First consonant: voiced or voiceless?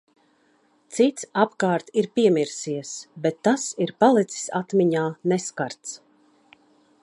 voiceless